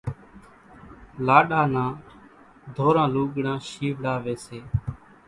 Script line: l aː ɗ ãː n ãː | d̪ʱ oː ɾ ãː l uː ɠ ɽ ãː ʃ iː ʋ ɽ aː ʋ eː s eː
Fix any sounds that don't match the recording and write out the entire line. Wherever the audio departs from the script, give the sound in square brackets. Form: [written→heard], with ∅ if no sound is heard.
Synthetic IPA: l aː ɗ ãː n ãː | d̪ʱ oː ɾ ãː l uː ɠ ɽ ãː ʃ iː ʋ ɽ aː ʋ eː s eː